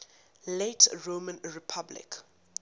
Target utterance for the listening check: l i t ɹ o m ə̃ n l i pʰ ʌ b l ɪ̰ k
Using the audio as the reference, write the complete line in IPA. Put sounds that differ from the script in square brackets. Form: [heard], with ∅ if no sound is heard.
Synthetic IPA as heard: l [e] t ɹ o m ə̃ n [ɹ] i pʰ [a] b l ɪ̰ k